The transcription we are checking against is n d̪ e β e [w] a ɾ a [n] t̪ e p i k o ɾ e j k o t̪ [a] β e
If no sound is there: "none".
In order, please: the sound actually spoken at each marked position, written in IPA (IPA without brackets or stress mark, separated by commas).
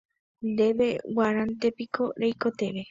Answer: w, n, e